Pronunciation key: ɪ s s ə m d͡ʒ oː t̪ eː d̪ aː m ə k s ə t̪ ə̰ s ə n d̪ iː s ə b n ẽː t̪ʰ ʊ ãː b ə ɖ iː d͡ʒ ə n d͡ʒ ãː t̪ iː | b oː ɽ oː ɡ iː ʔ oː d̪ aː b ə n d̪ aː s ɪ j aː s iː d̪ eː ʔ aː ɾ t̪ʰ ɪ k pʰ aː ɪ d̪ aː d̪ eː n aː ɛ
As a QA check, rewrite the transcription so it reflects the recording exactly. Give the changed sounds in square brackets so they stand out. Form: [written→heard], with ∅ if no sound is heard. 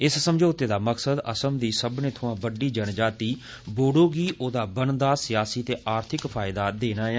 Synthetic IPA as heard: ɪ s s ə m d͡ʒ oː t̪ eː d̪ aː m ə k s ə [t̪→d̪] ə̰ s ə [n→m] d̪ iː s ə b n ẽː t̪ʰ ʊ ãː b ə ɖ iː d͡ʒ ə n d͡ʒ [ãː→aː] t̪ iː | b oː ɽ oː ɡ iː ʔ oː d̪ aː b ə n d̪ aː s ɪ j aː s iː [d̪→t̪] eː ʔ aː ɾ t̪ʰ ɪ k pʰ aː ɪ d̪ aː d̪ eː n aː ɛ